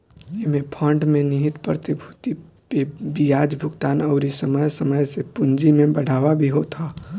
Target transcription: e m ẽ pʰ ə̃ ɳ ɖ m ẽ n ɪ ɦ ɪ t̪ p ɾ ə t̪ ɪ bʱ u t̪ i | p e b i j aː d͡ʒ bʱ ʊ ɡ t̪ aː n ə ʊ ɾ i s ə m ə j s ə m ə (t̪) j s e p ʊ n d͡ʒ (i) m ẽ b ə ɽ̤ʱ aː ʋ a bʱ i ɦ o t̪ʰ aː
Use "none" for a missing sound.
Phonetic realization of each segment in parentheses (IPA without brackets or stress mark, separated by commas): none, i